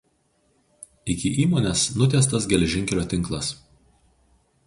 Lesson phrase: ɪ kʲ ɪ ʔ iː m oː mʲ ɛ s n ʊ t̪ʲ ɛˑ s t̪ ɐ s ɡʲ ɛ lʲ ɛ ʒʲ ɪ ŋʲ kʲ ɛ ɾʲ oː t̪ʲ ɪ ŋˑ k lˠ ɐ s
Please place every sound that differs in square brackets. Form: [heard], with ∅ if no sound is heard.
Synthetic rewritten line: ɪ kʲ ɪ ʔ iː m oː [nʲ] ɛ s n ʊ t̪ʲ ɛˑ s t̪ ɐ s ɡʲ ɛ lʲ ɛ ʒʲ ɪ ŋʲ kʲ ɛ [lʲ] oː t̪ʲ ɪ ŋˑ k lˠ ɐ s

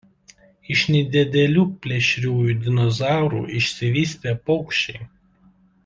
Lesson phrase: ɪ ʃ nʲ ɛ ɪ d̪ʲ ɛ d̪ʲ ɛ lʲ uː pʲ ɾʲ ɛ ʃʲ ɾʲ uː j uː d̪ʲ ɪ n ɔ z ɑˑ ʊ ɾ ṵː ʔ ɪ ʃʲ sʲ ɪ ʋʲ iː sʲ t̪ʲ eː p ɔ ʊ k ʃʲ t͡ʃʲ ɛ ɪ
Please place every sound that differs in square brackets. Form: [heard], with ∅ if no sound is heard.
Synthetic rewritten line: ɪ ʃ nʲ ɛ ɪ d̪ʲ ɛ d̪ʲ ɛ lʲ uː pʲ [lʲ] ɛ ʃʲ ɾʲ uː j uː d̪ʲ ɪ n ɔ z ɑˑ ʊ ɾ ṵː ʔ ɪ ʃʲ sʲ ɪ ʋʲ iː sʲ t̪ʲ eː p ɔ ʊ k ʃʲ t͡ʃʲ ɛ ɪ

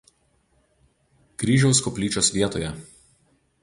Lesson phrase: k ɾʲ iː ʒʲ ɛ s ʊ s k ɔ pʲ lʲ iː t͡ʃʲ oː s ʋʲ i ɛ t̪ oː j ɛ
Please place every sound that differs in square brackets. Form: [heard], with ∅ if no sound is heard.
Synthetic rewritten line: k ɾʲ iː ʒʲ ɛ [∅] ʊ s k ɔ pʲ lʲ iː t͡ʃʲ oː s ʋʲ i ɛ t̪ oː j ɛ

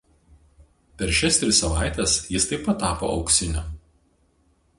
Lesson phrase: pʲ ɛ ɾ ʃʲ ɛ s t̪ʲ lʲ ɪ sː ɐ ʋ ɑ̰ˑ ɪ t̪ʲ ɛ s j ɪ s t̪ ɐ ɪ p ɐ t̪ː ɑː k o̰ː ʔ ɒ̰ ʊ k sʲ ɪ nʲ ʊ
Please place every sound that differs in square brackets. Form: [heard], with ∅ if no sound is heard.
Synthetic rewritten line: pʲ ɛ ɾ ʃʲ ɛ s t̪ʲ [ɾʲ] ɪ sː ɐ ʋ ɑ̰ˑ ɪ t̪ʲ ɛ s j ɪ s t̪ ɐ ɪ p ɐ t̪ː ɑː [p] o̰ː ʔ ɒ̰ ʊ k sʲ ɪ nʲ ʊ

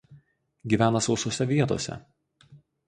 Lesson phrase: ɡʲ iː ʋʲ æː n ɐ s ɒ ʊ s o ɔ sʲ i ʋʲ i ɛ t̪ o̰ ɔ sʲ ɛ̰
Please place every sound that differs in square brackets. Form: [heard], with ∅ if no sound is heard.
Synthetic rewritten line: ɡʲ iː ʋʲ æː n ɐ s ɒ ʊ s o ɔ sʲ [ɛ] ʋʲ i ɛ t̪ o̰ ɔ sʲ ɛ̰

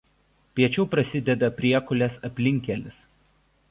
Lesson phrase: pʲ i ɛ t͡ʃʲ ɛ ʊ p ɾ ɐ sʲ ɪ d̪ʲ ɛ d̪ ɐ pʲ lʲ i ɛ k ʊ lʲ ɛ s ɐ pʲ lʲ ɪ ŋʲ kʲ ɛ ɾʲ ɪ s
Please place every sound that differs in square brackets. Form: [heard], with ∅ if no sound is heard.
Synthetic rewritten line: pʲ i ɛ t͡ʃʲ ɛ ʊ p ɾ ɐ sʲ ɪ d̪ʲ ɛ d̪ ɐ pʲ [ɾʲ] i ɛ k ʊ lʲ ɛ s ɐ pʲ lʲ ɪ ŋʲ kʲ ɛ [lʲ] ɪ s

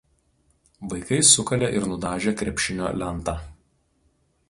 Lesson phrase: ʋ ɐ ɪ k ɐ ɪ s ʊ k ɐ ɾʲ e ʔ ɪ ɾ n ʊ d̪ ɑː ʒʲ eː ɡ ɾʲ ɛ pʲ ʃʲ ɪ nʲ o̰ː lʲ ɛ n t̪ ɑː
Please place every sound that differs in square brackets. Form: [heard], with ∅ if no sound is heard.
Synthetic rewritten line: ʋ ɐ ɪ k ɐ ɪ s ʊ k ɐ [lʲ] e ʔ ɪ ɾ n ʊ d̪ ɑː ʒʲ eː [k] ɾʲ ɛ pʲ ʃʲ ɪ nʲ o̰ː lʲ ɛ n t̪ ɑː

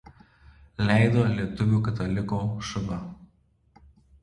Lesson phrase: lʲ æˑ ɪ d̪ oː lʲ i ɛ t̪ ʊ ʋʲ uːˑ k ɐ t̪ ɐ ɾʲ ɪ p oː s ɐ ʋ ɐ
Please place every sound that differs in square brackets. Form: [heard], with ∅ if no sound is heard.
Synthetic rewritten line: lʲ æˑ ɪ d̪ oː lʲ i ɛ t̪ ʊ ʋʲ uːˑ k ɐ t̪ ɐ [lʲ] ɪ [k] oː [ʃ] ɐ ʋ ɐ

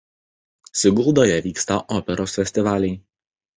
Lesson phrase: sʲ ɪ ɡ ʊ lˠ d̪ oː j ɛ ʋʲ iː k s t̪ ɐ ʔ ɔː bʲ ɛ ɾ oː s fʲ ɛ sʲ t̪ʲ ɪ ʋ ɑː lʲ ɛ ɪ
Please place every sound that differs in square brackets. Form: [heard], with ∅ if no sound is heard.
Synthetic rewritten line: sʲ ɪ ɡ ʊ lˠ d̪ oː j ɛ ʋʲ iː k s t̪ ɐ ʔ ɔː [pʲ] ɛ ɾ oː s fʲ ɛ sʲ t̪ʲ ɪ ʋ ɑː lʲ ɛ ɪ

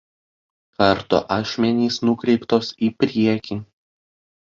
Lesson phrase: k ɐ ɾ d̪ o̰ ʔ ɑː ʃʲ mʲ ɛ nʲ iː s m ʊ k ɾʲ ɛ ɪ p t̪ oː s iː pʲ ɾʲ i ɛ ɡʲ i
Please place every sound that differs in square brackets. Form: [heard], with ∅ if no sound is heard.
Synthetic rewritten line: k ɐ ɾ [t̪] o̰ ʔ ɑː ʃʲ mʲ ɛ nʲ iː s [n] ʊ k ɾʲ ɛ ɪ p t̪ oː s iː pʲ ɾʲ i ɛ [kʲ] i

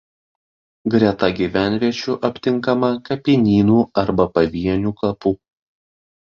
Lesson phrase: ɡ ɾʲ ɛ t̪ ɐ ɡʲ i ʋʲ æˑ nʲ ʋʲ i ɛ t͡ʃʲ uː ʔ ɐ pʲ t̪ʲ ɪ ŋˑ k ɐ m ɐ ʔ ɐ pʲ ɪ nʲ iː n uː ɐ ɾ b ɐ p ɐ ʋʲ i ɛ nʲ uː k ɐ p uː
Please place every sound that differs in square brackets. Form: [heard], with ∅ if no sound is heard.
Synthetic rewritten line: ɡ ɾʲ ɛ t̪ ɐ ɡʲ i ʋʲ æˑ nʲ ʋʲ i ɛ t͡ʃʲ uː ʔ ɐ pʲ t̪ʲ ɪ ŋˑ k ɐ m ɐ [k] ɐ pʲ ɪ nʲ iː n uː ɐ ɾ b ɐ p ɐ ʋʲ i ɛ nʲ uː k ɐ p uː

